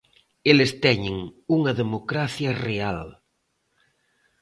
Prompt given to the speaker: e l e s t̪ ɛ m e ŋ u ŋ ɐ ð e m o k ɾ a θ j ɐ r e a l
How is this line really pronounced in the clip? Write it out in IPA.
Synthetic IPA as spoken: e l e s t̪ ɛ ɲ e ŋ u ŋ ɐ ð e m o k ɾ a θ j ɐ r e a l